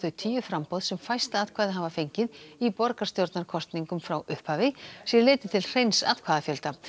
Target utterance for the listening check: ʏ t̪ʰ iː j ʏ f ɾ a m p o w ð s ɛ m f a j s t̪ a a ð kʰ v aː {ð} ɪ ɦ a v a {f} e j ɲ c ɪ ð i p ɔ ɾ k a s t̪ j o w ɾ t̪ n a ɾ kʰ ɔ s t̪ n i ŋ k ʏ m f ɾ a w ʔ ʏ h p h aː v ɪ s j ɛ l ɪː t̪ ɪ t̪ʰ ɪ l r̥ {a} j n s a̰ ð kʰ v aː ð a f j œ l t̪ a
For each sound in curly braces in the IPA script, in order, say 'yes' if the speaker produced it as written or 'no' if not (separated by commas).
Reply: yes, yes, no